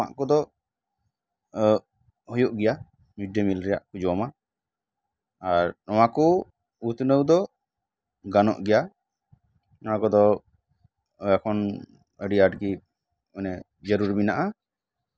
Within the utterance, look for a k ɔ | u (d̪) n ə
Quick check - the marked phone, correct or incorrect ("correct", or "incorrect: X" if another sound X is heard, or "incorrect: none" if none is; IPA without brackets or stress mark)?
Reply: incorrect: t̪